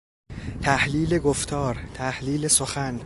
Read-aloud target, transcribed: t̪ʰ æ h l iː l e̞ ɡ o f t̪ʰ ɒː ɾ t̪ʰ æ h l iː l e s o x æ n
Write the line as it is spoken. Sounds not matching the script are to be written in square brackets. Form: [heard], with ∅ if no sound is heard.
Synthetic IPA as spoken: t̪ʰ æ h l iː l e̞ ɡ o f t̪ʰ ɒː ɾ t̪ʰ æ h l iː l e s o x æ n